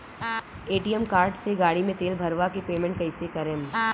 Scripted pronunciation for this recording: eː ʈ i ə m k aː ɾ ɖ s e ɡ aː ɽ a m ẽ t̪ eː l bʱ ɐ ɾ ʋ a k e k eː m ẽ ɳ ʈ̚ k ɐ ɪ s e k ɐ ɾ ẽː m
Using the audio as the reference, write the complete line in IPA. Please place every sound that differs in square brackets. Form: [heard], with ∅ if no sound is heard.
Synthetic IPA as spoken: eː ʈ i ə m k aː ɾ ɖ s e ɡ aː ɽ [i] m ẽ t̪ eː l bʱ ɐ ɾ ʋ a k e [p] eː m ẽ ɳ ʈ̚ k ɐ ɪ s e k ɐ ɾ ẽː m